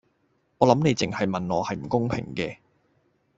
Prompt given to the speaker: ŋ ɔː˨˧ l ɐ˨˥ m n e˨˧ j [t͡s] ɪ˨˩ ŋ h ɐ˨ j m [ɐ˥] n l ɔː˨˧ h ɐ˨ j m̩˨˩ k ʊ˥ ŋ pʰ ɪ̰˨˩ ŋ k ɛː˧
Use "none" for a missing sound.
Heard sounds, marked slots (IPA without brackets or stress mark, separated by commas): t͡s, ɐ˨